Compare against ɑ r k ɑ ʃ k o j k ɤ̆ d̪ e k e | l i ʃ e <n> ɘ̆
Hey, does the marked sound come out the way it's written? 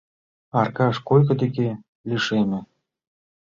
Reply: no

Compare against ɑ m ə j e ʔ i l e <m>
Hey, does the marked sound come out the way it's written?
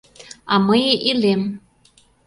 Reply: yes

